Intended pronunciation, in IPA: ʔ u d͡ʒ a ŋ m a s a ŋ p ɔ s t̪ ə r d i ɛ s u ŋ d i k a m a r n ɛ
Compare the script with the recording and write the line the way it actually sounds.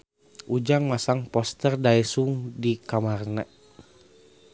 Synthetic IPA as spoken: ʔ u d͡ʒ a ŋ m a s a ŋ p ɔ s t̪ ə r d a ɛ s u ŋ d i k a m a r n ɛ